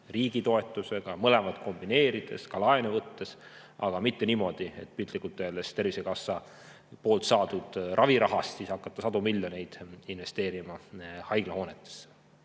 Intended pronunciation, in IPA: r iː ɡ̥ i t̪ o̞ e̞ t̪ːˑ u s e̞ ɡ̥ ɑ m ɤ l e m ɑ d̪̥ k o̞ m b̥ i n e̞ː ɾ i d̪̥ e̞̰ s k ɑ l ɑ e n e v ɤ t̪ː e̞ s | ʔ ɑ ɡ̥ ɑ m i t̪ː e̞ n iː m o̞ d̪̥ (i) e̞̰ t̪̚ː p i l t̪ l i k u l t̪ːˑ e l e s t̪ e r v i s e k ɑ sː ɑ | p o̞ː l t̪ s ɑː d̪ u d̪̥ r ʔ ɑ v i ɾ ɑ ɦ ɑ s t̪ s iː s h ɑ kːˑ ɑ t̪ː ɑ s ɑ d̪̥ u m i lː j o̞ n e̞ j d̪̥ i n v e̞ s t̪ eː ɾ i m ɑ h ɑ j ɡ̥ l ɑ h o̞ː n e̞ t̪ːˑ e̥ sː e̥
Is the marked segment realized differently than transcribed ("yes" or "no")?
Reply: no